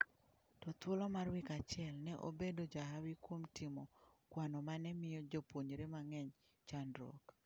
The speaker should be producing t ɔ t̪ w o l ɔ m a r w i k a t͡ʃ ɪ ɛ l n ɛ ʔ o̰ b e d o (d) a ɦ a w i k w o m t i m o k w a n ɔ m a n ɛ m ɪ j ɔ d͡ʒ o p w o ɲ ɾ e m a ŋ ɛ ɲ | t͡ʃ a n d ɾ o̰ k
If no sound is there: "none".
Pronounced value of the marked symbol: d͡ʒ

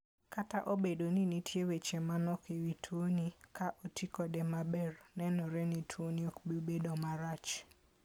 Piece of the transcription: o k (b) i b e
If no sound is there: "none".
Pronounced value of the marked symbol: b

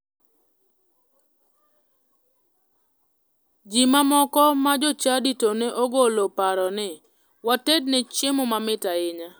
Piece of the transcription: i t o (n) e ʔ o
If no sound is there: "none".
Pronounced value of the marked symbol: n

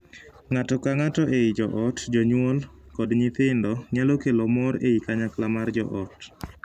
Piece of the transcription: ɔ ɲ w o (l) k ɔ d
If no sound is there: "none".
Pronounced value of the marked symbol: l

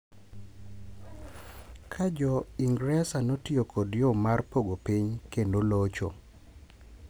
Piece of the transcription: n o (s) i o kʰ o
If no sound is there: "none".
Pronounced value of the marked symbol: t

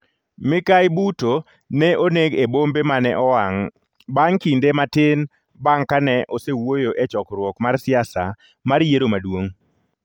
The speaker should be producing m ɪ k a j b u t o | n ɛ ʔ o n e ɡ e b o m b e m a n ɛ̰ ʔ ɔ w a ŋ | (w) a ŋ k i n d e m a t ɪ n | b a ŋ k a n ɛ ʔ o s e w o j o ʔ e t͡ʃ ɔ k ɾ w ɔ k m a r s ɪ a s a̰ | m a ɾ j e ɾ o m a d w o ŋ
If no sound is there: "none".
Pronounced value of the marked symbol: b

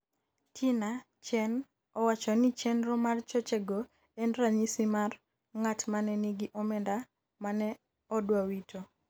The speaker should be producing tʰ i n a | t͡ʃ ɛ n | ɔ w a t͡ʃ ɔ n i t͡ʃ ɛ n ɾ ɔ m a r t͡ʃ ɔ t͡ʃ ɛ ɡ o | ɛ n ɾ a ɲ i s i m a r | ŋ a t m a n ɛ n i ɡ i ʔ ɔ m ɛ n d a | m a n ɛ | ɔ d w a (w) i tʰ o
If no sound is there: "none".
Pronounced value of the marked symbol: w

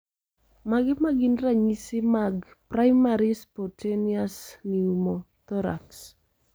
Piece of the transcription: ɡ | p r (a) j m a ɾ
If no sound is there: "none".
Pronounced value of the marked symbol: a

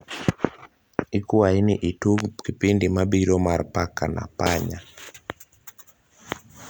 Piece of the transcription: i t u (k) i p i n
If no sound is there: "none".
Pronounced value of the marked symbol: k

